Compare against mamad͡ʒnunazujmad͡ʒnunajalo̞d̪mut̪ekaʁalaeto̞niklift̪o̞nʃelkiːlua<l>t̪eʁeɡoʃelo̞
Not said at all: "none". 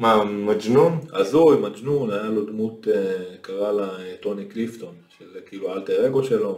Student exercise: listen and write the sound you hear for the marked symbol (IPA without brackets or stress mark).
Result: l